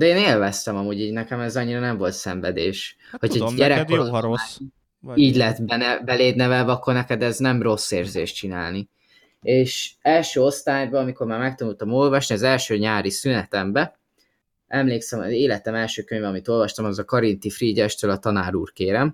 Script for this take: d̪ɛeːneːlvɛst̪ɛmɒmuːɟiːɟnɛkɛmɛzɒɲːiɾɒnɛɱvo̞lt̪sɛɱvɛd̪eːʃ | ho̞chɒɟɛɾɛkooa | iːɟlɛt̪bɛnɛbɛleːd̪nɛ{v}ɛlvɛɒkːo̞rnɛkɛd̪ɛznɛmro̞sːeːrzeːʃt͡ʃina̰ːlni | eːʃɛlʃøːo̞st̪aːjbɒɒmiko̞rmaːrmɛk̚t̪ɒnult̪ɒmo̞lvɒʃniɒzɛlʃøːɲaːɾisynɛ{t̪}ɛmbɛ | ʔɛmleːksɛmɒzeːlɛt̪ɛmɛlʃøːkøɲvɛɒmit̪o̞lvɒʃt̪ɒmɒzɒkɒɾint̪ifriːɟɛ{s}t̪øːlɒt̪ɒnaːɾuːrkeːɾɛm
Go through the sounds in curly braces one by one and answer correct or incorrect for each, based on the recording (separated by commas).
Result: correct, correct, incorrect